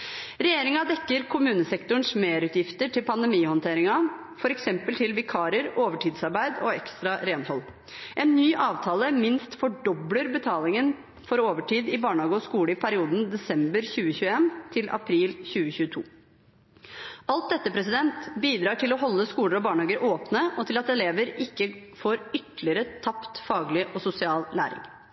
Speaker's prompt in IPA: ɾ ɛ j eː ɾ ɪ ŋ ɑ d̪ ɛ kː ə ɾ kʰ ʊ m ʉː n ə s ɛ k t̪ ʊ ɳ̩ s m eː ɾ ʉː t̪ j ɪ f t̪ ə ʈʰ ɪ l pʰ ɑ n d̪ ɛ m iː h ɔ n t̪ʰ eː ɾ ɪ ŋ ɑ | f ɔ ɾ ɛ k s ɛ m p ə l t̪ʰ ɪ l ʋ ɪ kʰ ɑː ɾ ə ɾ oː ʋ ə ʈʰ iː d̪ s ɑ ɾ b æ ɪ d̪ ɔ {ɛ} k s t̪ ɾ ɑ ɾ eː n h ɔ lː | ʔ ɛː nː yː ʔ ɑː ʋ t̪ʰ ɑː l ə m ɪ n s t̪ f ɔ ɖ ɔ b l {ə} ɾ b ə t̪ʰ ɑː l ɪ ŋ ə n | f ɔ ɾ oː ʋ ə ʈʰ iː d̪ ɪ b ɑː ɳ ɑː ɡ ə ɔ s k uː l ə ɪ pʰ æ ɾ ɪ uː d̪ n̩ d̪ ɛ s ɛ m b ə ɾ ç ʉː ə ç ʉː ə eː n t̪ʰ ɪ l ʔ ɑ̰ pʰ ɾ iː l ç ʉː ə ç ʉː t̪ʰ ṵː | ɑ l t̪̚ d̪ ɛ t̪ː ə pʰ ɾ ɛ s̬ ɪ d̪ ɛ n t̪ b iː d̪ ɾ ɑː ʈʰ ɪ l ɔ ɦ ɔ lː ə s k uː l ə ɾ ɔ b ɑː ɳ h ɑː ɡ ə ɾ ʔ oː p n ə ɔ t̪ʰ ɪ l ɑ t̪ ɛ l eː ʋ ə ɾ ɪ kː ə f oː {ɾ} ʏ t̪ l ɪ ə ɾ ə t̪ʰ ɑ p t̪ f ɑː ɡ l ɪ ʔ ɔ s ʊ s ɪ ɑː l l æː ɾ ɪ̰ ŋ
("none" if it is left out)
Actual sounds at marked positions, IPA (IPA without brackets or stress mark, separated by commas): ɛ, ə, ɾ